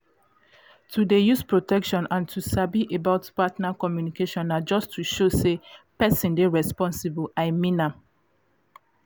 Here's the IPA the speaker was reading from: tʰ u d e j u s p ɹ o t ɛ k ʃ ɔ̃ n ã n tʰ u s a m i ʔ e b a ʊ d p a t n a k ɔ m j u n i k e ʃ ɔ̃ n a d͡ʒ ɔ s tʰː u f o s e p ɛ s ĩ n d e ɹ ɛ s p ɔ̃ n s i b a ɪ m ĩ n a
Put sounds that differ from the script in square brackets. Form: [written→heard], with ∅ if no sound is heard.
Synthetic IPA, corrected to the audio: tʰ u d e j u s p ɹ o t ɛ k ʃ ɔ̃ n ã n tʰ u s a [m→b] i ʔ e b a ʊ [d→t] p a t n a k ɔ m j u n i k e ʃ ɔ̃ n a d͡ʒ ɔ s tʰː u [f→ʃ] o s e p ɛ s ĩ n d e ɹ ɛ s p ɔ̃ n s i b a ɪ m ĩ n a